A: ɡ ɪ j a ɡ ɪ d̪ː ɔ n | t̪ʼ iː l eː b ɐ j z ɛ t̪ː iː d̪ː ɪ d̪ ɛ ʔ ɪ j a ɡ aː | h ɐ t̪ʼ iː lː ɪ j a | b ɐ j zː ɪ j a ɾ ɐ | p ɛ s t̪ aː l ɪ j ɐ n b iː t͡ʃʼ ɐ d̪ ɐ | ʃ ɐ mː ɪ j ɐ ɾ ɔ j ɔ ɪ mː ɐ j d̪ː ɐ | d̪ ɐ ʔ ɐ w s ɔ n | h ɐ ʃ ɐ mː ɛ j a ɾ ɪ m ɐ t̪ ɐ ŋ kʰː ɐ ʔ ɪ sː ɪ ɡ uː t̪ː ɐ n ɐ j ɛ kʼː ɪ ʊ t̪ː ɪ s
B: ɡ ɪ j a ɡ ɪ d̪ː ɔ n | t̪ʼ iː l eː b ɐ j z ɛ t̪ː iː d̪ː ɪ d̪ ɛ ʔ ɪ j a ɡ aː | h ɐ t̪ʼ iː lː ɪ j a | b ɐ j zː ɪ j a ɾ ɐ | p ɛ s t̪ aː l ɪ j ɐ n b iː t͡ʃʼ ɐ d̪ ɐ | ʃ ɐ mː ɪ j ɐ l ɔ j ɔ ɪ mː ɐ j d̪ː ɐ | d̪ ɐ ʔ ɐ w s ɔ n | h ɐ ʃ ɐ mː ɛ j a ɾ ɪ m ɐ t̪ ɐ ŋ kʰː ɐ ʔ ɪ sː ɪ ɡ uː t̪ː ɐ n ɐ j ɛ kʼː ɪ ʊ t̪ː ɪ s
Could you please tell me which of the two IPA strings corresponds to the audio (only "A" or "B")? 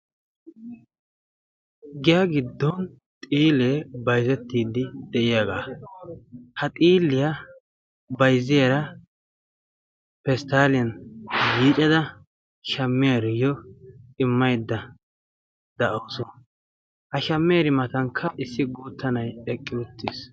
A